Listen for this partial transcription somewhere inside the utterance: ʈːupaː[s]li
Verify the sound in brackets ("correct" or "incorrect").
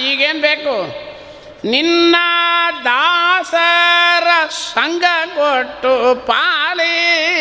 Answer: incorrect